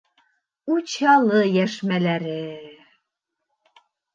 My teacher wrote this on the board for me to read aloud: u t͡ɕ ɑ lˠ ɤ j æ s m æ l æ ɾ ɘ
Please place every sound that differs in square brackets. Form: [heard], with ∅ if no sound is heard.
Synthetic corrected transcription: u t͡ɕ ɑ lˠ ɤ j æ [ʃ] m æ l æ ɾ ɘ